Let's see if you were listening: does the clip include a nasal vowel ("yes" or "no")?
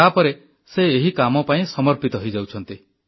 yes